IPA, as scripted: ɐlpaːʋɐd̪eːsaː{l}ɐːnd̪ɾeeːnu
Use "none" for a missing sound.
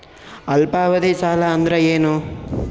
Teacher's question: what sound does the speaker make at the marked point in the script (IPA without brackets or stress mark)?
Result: l